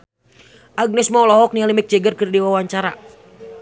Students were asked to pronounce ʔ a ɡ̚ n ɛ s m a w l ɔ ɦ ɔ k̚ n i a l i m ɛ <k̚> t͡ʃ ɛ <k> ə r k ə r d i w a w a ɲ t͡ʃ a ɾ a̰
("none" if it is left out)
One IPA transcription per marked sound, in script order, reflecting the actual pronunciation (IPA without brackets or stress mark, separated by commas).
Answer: k̚, ɡ